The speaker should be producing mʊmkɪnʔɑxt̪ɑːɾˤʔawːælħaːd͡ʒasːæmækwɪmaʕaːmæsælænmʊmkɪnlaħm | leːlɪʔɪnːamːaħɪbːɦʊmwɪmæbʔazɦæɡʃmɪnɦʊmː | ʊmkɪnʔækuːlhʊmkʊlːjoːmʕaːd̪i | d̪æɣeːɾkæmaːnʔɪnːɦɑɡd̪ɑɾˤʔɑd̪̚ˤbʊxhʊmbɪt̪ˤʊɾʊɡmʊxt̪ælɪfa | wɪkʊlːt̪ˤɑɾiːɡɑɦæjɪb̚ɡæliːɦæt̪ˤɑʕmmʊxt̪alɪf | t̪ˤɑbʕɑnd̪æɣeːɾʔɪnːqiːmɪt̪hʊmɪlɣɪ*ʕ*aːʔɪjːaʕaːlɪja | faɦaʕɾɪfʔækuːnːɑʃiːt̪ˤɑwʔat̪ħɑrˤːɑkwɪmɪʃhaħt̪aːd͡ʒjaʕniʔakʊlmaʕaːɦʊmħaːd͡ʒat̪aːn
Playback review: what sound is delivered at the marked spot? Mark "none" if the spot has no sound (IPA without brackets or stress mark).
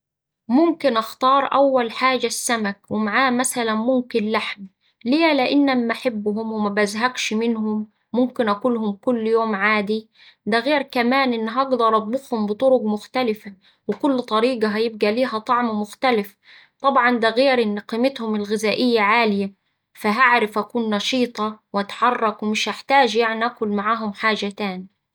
z